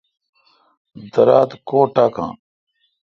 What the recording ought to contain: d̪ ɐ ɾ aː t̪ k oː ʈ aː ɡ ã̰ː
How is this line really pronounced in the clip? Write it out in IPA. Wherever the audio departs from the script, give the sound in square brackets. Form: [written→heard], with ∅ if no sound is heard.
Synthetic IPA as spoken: d̪ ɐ ɾ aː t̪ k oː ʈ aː [ɡ→k] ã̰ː